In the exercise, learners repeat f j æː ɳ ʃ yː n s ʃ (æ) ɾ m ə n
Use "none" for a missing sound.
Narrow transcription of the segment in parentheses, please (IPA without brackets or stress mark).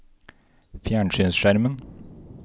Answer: æ